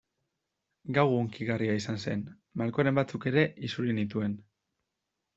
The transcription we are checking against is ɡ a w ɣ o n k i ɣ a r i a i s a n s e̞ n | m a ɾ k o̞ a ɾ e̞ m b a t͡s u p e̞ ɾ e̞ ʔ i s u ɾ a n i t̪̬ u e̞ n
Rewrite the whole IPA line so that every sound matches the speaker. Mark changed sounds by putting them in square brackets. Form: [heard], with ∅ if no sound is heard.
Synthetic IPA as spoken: ɡ a w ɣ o [ŋ] k i ɣ a r i a i s a n s e̞ n | m a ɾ k o̞ a ɾ e̞ m b a t͡s u [k] e̞ ɾ e̞ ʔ i s u ɾ [i] n i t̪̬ u e̞ n